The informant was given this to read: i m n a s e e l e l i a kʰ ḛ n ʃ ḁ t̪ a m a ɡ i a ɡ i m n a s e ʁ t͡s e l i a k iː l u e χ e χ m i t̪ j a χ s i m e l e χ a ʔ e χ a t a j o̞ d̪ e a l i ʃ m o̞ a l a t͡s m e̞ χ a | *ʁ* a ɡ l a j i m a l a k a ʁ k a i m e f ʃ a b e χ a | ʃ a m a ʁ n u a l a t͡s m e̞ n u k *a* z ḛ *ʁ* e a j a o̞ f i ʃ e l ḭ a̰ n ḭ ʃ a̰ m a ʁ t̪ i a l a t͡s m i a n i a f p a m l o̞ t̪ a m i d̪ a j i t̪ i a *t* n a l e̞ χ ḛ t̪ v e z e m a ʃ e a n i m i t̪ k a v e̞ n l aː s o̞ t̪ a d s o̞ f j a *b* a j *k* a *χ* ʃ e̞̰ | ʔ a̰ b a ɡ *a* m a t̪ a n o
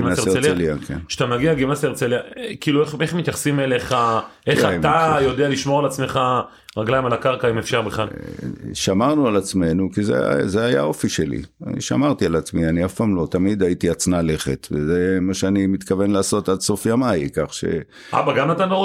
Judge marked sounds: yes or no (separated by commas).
yes, no, no, no, no, yes, yes, yes